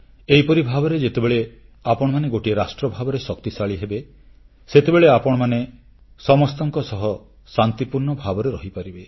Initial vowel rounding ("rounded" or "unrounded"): unrounded